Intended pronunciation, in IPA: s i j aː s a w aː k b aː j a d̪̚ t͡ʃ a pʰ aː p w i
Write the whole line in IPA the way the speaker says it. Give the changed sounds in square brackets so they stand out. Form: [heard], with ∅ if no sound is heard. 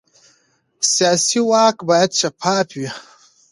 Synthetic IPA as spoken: s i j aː s [i] w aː k b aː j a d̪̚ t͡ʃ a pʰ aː p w i